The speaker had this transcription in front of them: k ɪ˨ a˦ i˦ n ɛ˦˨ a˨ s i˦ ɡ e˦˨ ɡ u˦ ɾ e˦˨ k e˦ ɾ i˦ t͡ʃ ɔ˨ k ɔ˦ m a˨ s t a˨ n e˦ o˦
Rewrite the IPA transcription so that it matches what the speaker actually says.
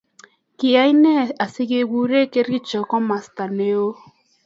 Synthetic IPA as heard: k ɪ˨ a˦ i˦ n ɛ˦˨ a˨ s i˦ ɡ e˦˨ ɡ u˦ ɾ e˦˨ k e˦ ɾ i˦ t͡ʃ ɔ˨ k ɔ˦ m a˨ s t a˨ n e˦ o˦